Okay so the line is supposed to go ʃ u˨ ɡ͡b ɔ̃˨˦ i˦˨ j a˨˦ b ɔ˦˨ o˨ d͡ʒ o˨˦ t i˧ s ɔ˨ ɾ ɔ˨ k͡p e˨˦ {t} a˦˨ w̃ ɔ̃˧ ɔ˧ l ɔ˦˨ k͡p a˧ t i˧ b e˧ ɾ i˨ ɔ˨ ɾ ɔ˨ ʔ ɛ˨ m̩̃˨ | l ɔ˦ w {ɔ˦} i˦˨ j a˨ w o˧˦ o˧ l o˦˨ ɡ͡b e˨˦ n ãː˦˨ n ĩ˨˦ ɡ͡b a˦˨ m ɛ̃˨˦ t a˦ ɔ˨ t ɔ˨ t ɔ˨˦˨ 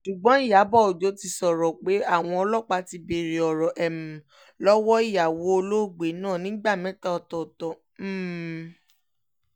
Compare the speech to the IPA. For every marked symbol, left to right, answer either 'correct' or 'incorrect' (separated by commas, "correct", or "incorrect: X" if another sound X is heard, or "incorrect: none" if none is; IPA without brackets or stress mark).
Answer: incorrect: none, correct